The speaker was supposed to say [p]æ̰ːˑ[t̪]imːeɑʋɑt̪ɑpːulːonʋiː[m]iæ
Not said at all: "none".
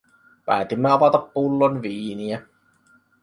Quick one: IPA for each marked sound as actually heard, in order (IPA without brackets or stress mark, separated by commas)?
p, t̪, n